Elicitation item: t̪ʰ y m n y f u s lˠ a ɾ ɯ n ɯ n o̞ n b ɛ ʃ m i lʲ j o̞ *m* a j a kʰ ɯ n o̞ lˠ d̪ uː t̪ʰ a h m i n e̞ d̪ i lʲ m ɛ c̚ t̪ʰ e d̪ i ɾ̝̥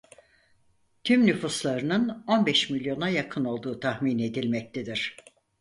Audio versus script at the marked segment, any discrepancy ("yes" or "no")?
yes